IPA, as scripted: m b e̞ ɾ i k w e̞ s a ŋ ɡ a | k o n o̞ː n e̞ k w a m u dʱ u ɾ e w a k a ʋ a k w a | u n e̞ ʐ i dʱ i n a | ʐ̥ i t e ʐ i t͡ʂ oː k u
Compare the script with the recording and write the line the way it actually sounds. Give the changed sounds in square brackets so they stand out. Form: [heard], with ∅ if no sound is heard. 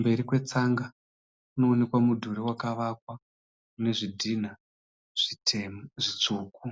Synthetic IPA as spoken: m b e̞ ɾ i k w e̞ [t͡s] a ŋ ɡ a | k [u] n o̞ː n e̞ k w a m u dʱ u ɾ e w a k a ʋ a k w a | u n e̞ ʐ i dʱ i n a | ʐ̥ i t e ʐ i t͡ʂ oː k u